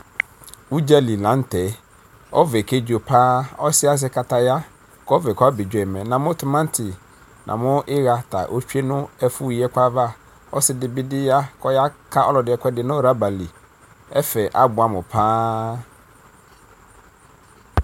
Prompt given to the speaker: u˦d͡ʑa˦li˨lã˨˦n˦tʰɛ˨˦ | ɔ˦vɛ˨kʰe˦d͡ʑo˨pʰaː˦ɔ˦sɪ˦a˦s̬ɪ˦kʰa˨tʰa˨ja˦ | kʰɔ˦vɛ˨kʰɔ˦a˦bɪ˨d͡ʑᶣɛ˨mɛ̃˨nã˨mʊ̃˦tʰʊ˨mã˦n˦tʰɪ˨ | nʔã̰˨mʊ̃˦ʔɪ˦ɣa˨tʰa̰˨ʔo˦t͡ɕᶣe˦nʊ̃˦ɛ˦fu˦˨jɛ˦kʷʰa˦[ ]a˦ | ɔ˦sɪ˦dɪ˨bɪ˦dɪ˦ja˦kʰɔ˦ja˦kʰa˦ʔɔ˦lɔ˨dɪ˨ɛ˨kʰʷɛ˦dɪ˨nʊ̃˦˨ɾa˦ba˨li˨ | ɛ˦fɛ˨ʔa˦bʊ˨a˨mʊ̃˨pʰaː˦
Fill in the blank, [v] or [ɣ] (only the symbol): v